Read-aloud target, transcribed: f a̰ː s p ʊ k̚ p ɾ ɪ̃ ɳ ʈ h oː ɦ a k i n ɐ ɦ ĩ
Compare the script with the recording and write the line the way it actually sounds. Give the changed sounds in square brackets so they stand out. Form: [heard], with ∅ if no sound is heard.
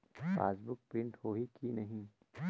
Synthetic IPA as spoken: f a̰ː s [b] ʊ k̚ p ɾ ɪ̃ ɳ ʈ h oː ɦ [i] k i n ɐ ɦ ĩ